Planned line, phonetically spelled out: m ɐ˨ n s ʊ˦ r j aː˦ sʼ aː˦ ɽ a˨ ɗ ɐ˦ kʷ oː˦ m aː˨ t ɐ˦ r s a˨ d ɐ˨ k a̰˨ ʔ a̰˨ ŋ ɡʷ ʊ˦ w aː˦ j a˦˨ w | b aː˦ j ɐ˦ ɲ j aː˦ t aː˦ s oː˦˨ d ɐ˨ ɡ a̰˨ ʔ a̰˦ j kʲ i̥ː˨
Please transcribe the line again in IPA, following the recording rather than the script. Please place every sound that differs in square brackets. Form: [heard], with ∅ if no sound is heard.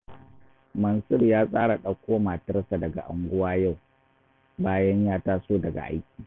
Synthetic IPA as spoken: m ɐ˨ n s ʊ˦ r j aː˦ sʼ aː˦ ɽ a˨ ɗ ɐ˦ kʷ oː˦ m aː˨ t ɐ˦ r s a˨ d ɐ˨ [ɡ] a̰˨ ʔ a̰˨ ŋ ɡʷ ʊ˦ w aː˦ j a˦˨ w | b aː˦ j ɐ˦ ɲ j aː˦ t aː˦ s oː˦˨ d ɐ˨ ɡ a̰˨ ʔ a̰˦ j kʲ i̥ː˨